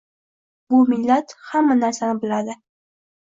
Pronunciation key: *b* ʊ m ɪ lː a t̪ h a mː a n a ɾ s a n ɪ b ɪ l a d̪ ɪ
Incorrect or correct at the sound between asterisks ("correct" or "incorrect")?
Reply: correct